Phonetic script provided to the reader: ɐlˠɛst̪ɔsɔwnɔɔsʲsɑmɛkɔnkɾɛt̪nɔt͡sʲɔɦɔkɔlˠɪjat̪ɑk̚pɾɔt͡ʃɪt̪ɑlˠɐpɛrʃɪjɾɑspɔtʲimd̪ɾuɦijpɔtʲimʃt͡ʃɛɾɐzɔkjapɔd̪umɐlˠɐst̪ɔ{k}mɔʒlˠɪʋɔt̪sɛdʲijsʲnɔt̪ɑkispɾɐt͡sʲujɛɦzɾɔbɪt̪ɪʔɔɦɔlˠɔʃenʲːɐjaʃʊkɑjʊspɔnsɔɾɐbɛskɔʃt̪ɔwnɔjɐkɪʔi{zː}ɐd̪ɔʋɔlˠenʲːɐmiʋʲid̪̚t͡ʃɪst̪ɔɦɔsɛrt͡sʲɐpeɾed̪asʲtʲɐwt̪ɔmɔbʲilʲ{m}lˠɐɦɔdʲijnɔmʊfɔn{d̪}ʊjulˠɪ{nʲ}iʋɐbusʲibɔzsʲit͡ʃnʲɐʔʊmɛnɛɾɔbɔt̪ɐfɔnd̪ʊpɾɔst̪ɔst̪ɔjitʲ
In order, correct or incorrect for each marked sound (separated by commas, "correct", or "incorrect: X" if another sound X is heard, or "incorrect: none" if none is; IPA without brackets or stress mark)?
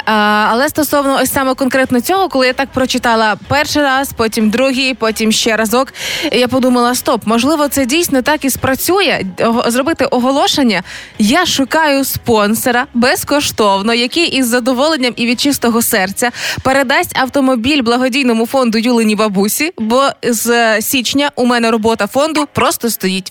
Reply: incorrect: p, correct, incorrect: b, correct, correct